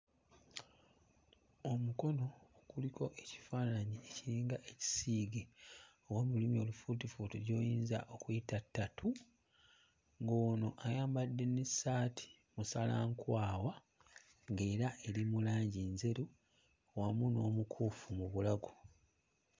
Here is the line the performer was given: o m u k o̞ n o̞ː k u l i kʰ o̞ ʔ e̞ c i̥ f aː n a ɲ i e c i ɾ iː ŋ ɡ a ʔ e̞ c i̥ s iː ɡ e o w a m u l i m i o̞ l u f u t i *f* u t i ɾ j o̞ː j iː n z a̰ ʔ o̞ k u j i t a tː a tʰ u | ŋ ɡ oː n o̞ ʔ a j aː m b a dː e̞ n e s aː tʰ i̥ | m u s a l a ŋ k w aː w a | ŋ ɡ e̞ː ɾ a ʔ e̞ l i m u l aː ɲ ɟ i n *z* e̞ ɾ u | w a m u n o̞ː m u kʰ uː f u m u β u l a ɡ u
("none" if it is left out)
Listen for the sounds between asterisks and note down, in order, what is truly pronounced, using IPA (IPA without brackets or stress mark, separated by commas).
f, z